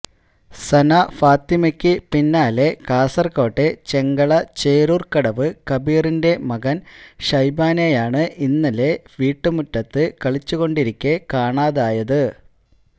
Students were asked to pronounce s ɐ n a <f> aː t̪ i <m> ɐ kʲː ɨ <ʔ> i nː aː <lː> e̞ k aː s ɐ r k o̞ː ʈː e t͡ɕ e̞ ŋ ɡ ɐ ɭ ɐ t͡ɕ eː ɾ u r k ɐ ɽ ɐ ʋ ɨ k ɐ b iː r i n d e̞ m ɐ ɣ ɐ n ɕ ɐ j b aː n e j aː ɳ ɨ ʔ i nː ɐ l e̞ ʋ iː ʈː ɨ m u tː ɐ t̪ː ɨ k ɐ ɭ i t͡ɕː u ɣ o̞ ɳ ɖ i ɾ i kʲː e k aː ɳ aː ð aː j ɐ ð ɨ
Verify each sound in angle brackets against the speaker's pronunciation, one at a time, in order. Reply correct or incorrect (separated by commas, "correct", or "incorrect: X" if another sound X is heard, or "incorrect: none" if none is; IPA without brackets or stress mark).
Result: correct, correct, incorrect: p, incorrect: l